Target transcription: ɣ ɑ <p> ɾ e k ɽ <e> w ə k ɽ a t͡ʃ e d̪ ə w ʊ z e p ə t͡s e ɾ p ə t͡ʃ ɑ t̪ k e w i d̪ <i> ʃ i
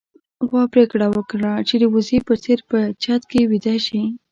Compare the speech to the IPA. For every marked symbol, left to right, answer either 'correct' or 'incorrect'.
correct, incorrect: a, incorrect: a

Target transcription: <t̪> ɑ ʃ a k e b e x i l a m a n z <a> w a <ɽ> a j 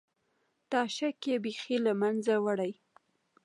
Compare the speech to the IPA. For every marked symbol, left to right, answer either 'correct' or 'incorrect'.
correct, correct, correct

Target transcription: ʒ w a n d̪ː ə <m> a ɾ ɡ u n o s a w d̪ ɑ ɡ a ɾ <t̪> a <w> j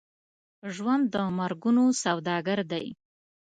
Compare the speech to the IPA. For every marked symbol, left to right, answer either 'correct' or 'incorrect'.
correct, incorrect: d̪, incorrect: none

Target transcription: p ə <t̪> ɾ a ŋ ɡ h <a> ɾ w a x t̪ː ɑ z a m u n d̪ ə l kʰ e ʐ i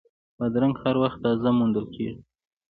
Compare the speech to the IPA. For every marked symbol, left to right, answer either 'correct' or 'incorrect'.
incorrect: d̪, correct

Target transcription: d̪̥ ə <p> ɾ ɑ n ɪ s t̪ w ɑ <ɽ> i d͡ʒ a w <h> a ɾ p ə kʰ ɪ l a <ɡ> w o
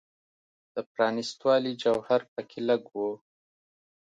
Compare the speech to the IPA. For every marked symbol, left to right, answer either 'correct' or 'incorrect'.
correct, incorrect: l, correct, correct

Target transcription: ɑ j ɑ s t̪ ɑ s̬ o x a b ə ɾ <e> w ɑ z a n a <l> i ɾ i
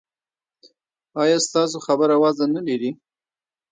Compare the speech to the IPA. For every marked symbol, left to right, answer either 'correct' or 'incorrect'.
incorrect: a, correct

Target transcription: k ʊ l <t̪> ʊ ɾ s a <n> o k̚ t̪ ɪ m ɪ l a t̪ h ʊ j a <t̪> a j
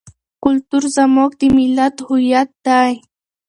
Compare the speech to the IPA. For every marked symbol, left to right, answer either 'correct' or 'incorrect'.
correct, incorrect: m, correct

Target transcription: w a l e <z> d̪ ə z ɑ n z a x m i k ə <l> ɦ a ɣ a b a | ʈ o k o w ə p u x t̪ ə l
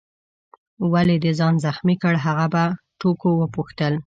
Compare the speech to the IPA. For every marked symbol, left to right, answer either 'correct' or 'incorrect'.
incorrect: none, incorrect: ɽ

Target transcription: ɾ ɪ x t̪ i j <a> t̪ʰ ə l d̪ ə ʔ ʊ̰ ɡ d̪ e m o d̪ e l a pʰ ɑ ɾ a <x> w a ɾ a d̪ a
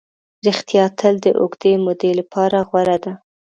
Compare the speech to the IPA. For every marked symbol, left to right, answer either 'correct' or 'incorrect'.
incorrect: ɑ, incorrect: ɣ

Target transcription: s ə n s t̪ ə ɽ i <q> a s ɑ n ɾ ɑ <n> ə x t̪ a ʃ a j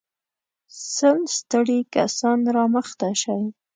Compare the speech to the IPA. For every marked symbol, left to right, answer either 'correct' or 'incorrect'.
incorrect: k, incorrect: m

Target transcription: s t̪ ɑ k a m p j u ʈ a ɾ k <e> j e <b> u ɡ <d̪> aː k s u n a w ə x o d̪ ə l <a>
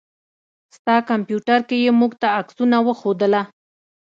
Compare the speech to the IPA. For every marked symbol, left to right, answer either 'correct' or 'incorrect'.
correct, incorrect: m, incorrect: t̪, correct

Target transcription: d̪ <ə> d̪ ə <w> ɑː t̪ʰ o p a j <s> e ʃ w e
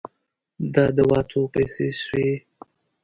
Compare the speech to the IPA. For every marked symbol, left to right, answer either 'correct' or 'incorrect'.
incorrect: ɑ, correct, correct

